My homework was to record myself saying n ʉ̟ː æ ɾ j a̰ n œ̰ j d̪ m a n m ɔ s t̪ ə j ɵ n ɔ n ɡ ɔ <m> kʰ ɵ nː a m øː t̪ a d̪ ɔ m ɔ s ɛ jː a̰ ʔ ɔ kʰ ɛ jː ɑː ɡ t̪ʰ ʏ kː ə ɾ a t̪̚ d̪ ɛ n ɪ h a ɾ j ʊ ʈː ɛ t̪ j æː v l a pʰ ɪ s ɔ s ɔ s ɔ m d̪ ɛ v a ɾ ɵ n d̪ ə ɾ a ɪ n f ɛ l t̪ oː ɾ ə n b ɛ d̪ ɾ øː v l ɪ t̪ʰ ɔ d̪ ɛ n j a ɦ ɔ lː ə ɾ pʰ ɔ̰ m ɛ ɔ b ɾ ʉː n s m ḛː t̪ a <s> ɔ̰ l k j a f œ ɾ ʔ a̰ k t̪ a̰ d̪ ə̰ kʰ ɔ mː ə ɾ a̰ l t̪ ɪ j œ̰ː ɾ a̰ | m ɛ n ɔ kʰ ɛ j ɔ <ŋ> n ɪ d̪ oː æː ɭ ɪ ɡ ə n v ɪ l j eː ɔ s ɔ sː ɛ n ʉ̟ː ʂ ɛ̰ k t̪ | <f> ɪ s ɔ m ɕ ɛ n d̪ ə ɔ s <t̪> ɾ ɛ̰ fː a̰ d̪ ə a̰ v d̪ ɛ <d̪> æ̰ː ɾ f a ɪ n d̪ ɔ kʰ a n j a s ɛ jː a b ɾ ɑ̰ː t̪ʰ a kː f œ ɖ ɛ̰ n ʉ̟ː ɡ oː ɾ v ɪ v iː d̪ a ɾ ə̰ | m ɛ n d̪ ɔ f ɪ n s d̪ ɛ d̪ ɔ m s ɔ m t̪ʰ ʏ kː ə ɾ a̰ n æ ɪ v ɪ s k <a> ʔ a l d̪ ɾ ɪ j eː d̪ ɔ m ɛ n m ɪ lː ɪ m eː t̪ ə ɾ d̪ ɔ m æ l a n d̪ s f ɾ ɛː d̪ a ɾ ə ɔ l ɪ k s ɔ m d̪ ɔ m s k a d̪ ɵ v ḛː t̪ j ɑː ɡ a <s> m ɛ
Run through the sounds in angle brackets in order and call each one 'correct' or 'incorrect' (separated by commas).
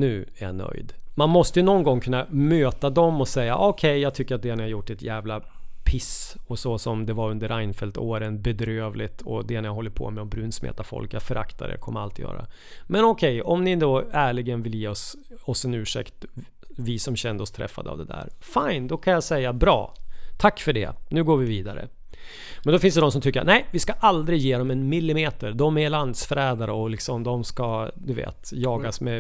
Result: incorrect, incorrect, incorrect, incorrect, incorrect, correct, correct, correct